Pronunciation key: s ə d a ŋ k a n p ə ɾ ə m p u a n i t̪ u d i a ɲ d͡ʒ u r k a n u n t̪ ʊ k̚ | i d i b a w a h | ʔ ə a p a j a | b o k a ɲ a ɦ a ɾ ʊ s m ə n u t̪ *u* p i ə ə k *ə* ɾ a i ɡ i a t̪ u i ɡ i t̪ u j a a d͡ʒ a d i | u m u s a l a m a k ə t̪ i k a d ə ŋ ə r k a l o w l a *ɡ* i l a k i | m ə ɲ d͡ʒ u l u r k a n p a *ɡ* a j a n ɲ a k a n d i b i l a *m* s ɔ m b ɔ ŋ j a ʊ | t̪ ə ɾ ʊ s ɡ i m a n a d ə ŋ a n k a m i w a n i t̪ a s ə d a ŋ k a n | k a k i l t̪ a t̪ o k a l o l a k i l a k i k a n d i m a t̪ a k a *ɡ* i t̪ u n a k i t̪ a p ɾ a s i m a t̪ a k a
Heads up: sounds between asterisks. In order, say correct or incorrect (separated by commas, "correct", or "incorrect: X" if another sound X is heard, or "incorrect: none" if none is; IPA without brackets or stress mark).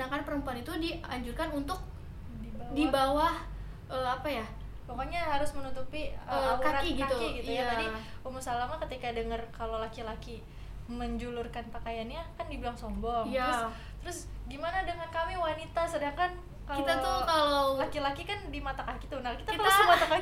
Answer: correct, incorrect: a, incorrect: k, incorrect: k, incorrect: ŋ, incorrect: k